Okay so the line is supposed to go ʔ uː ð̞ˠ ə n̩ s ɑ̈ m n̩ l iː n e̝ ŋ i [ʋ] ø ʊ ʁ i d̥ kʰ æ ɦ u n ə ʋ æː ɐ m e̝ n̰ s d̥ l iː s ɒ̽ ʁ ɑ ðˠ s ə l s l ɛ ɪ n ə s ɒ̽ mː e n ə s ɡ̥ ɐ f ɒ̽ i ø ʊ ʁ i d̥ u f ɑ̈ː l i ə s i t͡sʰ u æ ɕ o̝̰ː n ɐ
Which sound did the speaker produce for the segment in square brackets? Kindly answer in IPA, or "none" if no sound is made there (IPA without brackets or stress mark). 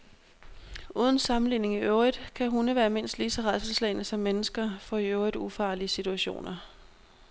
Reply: none